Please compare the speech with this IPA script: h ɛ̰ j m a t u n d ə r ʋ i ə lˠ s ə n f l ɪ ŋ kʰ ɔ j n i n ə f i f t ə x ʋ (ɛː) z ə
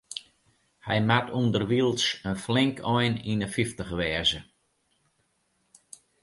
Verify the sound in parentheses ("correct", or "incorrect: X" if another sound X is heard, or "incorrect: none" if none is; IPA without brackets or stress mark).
correct